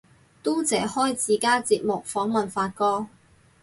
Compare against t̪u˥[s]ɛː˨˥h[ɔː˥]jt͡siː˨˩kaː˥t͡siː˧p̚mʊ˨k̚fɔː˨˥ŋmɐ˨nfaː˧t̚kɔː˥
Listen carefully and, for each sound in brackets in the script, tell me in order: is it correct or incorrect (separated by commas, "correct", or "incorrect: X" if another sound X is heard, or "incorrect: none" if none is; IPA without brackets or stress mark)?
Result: incorrect: t͡s, correct